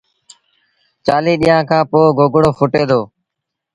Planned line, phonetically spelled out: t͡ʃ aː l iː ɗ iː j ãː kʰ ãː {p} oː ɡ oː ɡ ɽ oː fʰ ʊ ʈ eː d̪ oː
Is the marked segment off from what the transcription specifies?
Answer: no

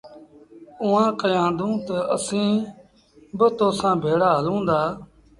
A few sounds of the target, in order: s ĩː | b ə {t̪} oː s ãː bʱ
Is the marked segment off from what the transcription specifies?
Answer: no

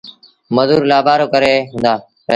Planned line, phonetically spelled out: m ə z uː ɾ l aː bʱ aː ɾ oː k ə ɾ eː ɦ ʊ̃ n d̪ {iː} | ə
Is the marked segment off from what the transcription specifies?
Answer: yes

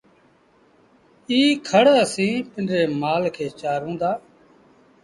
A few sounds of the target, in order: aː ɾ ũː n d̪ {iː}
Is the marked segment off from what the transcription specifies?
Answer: yes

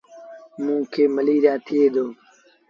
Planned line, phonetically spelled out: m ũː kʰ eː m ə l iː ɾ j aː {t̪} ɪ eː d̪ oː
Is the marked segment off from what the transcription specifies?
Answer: yes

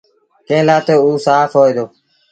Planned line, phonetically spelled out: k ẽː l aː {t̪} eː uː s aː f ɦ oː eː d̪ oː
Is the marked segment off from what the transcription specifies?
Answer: no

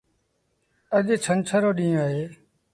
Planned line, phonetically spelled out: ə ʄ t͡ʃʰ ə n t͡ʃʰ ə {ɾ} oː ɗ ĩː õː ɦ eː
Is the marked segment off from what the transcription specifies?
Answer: no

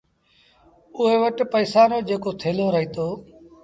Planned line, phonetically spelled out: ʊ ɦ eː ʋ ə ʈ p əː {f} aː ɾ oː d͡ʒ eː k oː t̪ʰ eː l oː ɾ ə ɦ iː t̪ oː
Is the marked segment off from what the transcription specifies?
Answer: yes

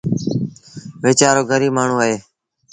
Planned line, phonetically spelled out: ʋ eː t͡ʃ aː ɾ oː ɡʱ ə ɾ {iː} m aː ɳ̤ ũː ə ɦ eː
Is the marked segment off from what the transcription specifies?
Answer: no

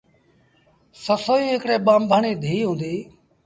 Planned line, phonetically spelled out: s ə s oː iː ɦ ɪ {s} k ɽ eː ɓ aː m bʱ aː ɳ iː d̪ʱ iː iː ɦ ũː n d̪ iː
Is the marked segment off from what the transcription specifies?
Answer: yes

